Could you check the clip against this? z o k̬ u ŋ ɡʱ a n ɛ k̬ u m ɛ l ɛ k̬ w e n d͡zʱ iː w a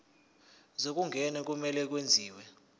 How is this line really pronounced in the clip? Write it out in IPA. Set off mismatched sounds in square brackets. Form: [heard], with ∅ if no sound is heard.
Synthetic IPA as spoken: z o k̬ u ŋ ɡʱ [ɛ] n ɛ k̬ u m ɛ l ɛ k̬ w e n d͡zʱ iː w [ɛ]